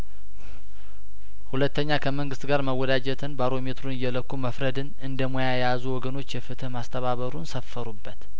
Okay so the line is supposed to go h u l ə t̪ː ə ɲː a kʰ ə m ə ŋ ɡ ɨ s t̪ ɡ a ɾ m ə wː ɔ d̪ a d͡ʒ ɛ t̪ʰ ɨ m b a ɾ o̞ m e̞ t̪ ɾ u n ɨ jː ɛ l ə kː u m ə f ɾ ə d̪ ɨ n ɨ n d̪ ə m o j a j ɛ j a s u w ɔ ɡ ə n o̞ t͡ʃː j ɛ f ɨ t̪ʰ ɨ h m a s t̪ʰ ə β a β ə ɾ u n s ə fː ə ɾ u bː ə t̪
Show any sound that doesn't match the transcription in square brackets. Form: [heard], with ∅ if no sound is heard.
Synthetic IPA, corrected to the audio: h u l ə t̪ː ə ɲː a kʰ ə m ə ŋ ɡ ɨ s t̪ ɡ a ɾ m ə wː ɔ d̪ a d͡ʒ ɛ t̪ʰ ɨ [n] b a ɾ o̞ m e̞ t̪ ɾ u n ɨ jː ɛ l ə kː u m ə f ɾ ə d̪ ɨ n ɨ n d̪ ə m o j a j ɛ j a [z] u w ɔ ɡ ə n o̞ t͡ʃː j ɛ f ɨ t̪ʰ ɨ h m a s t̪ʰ ə β a β ə ɾ u n s ə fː ə ɾ u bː ə t̪